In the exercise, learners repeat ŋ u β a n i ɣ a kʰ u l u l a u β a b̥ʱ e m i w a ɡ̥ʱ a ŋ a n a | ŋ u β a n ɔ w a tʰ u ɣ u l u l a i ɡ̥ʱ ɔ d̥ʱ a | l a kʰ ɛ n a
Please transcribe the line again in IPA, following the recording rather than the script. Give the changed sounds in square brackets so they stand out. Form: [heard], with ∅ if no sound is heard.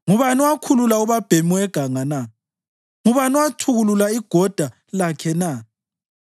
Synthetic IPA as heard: ŋ u β a n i [w] a kʰ u l u l a u β a b̥ʱ e m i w [ɛ] ɡ̥ʱ a ŋ a n a | ŋ u β a n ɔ w a tʰ u ɣ u l u l a i ɡ̥ʱ ɔ d̥ʱ a | l a kʰ ɛ n a